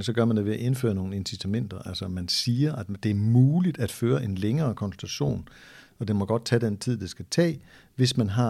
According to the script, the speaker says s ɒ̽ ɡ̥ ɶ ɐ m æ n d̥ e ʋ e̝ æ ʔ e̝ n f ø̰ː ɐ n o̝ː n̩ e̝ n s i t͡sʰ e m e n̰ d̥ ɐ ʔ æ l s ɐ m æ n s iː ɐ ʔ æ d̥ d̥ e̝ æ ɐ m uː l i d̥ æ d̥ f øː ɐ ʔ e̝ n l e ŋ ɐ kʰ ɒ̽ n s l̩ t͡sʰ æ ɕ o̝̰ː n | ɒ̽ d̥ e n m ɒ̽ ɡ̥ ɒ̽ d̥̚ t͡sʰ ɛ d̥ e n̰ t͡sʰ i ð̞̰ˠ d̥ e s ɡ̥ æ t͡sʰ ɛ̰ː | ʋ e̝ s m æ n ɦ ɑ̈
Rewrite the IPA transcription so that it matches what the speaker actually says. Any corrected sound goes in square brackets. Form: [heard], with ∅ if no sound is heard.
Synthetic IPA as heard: s ɒ̽ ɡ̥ ɶ ɐ m æ n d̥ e ʋ e̝ æ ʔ e̝ n f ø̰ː ɐ n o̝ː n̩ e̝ n s i t͡sʰ [æ] m e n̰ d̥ ɐ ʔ æ l s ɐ m æ n s iː ɐ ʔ æ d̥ d̥ e̝ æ ɐ m uː l i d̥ æ d̥ f øː ɐ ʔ e̝ n l e ŋ [ɐː] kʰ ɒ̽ n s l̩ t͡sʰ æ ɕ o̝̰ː n | ɒ̽ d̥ e n m ɒ̽ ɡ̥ ɒ̽ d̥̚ t͡sʰ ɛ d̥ e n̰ t͡sʰ i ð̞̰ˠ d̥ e s ɡ̥ æ t͡sʰ ɛ̰ː | ʋ e̝ s m æ n ɦ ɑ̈